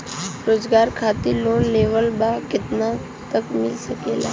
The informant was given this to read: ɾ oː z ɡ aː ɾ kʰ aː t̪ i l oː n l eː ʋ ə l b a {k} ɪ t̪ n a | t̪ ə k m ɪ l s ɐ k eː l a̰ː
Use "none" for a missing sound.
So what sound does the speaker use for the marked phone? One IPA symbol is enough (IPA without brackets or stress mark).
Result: k